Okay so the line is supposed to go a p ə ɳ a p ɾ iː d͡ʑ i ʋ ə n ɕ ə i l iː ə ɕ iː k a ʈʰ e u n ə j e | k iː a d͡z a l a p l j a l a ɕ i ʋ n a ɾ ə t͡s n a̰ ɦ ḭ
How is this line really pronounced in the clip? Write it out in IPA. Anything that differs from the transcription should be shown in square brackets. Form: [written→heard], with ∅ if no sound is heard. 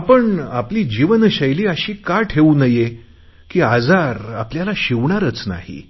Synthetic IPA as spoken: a p ə ɳ a p [ɾ→l] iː d͡ʑ i ʋ ə n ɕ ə [i→j] l iː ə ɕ iː k a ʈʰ e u n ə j e | k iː a d͡z a [l→ɾ] a p l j a l a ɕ i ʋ [n→ɳ] a ɾ ə t͡s n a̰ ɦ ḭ